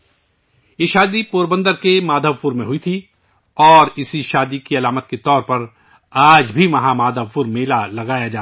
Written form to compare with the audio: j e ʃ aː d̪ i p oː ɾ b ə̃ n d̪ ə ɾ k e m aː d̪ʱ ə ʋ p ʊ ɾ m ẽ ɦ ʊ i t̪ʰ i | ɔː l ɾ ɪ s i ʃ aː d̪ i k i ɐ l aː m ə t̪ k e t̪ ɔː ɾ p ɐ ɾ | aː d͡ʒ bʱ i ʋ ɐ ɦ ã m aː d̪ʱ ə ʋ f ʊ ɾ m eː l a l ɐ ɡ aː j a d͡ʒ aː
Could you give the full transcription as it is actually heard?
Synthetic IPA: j e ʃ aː d̪ i p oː ɾ b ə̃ n d̪ ə ɾ k e m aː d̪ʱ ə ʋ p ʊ ɾ m ẽ ɦ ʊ i t̪ʰ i | ɔː ɾ ɪ s i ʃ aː d̪ i k i ɐ l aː m ə t̪ k e t̪ ɔː ɾ p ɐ ɾ | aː d͡ʒ bʱ i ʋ ɐ ɦ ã m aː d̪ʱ ə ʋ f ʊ ɾ m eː l a l ɐ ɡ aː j a d͡ʒ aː